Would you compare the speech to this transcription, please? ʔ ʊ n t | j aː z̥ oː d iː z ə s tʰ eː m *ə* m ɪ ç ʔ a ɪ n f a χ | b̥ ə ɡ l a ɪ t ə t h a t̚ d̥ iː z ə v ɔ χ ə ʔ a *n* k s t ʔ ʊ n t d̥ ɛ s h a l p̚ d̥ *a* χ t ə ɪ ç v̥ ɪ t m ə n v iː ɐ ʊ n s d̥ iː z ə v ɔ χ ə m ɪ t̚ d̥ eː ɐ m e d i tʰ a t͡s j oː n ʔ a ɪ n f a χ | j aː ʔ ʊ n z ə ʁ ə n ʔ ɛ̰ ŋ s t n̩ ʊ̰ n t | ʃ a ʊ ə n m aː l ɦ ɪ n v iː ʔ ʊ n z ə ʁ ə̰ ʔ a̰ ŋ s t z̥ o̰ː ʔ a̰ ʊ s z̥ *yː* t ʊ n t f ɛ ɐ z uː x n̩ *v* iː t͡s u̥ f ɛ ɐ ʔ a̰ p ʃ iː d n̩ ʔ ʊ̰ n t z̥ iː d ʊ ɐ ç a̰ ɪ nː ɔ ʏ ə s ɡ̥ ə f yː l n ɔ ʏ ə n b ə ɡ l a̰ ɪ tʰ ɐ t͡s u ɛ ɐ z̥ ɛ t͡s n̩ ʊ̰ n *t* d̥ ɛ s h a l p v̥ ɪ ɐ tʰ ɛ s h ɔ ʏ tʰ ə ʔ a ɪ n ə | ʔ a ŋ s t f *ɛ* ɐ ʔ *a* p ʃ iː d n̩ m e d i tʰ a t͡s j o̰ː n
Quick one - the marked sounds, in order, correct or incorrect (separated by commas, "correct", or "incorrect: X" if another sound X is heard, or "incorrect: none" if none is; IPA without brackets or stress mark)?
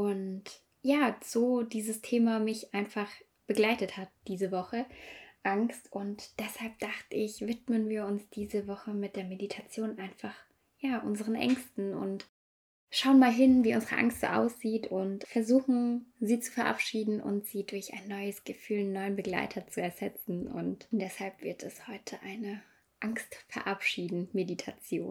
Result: incorrect: a, incorrect: ŋ, correct, incorrect: iː, incorrect: z, correct, correct, correct